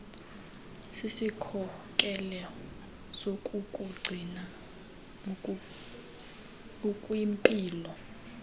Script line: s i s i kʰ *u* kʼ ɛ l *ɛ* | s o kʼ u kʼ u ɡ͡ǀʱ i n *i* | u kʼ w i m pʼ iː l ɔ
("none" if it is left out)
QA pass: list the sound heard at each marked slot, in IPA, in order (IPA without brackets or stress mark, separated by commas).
ɔ, ɛ, a